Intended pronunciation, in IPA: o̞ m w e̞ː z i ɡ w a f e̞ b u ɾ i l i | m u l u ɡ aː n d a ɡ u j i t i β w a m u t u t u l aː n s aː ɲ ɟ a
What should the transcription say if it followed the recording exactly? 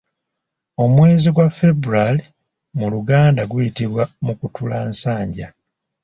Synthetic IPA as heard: o̞ m w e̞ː z i ɡ w a f e̞ b u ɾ a l i | m u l u ɡ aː n d a ɡ u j i t i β w a m u k u t u l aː n s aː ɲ ɟ a